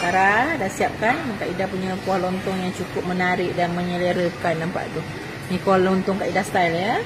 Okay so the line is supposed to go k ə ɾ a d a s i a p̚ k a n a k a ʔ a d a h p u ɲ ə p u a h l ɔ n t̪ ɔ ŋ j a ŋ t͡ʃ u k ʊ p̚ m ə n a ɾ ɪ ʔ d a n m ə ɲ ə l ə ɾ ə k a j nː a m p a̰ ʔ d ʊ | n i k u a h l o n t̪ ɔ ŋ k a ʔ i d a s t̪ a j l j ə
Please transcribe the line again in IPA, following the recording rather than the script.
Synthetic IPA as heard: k a ɾ a d a s i a p̚ k a n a k a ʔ i d a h p u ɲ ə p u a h l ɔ n t̪ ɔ ŋ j a ŋ t͡ʃ u k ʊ p̚ m ə n a ɾ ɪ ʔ d a n m ə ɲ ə l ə ɾ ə k a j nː a m p a̰ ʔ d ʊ | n i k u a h l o n t̪ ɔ ŋ k a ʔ i d a s t̪ a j l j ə